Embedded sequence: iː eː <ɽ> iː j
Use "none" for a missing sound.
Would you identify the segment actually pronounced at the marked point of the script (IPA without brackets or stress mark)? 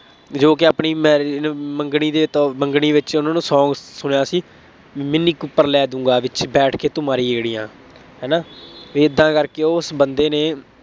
ɽ